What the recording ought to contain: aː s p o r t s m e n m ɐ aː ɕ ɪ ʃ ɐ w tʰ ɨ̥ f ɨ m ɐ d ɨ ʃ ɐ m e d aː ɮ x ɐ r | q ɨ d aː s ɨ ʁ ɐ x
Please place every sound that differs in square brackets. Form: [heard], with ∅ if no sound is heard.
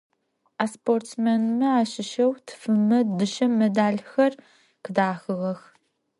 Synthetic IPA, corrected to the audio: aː s p o r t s m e n m ɐ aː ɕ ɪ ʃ ɐ w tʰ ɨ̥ f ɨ m ɐ d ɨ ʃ ɐ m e d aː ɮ x ɐ r | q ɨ d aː [x] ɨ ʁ ɐ x